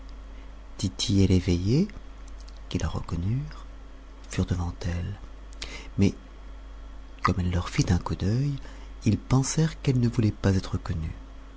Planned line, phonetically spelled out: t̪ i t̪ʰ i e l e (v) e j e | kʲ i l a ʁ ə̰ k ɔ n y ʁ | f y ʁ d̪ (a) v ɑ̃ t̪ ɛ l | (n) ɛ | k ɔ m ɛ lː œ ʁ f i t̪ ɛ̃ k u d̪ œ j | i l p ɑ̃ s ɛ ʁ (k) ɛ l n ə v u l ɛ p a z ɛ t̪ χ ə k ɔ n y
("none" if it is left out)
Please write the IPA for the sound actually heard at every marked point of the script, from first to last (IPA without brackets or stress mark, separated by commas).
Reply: v, ə, m, k